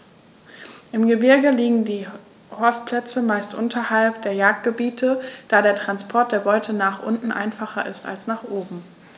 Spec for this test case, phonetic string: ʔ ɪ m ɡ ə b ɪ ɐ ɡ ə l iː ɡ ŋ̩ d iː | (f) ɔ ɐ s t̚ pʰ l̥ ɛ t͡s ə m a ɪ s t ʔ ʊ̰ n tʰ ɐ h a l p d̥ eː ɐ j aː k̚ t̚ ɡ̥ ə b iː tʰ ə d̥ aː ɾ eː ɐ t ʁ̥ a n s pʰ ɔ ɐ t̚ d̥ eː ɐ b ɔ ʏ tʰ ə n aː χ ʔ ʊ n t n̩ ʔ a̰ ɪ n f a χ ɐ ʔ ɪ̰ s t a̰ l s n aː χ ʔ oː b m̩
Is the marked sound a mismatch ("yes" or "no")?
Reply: yes